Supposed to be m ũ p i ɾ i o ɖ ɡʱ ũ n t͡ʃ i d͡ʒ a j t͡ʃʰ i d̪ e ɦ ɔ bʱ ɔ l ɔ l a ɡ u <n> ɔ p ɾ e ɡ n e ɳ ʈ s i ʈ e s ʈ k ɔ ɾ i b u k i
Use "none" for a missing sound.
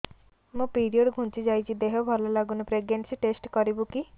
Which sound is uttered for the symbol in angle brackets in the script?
n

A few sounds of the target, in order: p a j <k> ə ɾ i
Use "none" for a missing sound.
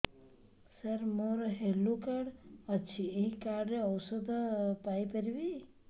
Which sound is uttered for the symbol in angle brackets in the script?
p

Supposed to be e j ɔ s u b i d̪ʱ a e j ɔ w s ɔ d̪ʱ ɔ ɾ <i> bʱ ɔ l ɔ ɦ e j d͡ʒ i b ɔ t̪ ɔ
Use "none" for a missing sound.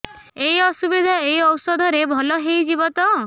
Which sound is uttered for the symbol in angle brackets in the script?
e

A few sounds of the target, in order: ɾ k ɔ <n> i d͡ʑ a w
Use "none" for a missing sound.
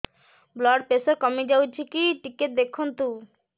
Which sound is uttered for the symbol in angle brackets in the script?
m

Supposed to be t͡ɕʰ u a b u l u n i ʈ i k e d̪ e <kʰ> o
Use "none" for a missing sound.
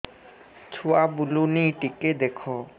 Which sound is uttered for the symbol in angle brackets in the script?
kʰ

